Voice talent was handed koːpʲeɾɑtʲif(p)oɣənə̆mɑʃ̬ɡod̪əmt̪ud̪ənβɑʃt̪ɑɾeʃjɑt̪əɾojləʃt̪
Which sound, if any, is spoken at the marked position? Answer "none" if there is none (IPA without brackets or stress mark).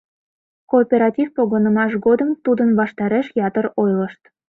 p